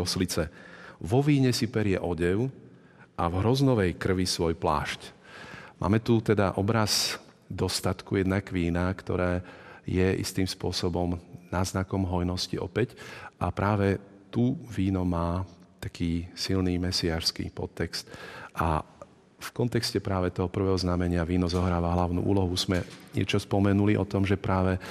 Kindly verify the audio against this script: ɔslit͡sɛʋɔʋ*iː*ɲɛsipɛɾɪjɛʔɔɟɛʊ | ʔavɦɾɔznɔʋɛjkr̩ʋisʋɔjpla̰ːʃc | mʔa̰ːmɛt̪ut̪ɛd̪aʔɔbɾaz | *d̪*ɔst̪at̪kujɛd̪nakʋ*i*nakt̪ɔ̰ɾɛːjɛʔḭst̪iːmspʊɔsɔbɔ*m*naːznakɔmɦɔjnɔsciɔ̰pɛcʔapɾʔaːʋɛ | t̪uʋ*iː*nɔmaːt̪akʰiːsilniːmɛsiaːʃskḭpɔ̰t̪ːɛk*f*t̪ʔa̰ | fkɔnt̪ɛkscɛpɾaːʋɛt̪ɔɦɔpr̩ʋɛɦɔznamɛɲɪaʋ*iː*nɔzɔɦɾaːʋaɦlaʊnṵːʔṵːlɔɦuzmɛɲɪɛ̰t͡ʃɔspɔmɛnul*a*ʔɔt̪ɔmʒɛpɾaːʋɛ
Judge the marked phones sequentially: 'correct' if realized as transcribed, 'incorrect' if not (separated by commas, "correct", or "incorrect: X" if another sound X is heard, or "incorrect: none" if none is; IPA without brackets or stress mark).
correct, correct, incorrect: iː, correct, correct, incorrect: s, correct, incorrect: i